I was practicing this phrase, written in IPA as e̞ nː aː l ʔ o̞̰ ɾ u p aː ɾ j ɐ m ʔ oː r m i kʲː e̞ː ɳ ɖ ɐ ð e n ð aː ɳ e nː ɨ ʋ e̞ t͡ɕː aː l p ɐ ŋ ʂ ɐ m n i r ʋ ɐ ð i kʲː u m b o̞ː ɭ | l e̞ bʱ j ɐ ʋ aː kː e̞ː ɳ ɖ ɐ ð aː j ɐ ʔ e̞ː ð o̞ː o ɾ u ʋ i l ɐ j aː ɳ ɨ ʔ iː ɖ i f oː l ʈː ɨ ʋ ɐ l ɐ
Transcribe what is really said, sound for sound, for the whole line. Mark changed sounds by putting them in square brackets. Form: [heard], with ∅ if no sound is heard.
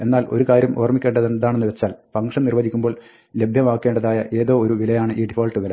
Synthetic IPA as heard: e̞ nː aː l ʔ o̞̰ ɾ u [k] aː ɾ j ɐ m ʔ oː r m i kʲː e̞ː ɳ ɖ ɐ ð e n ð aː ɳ e nː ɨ ʋ e̞ t͡ɕː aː l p ɐ ŋ ʂ ɐ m n i r ʋ ɐ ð i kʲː u m b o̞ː ɭ | l e̞ bʱ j ɐ ʋ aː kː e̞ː ɳ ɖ ɐ ð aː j ɐ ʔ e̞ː ð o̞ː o ɾ u ʋ i l ɐ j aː ɳ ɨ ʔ iː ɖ i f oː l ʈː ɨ ʋ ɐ l ɐ